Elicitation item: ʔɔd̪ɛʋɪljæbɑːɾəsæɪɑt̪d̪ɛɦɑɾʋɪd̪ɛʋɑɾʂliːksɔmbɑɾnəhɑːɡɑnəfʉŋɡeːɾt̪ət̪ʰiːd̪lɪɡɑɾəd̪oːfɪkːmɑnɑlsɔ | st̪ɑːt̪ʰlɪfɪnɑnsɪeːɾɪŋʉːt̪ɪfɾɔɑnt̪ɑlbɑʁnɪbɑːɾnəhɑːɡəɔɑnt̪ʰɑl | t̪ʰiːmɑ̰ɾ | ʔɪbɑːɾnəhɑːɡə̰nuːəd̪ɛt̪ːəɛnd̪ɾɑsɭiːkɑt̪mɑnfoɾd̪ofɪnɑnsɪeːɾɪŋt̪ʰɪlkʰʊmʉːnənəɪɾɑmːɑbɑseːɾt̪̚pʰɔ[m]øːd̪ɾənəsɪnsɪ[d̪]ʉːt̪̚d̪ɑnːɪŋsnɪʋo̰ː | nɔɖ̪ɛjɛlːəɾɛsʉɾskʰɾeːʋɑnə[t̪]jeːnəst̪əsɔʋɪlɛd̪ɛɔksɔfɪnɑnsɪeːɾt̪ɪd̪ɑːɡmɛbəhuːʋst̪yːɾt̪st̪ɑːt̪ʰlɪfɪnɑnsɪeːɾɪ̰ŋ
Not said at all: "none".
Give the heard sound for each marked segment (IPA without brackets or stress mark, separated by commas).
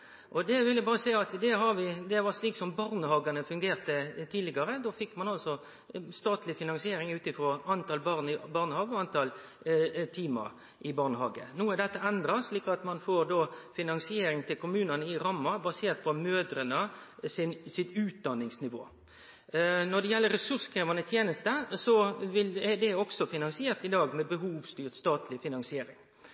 m, t̪, t̪ʰ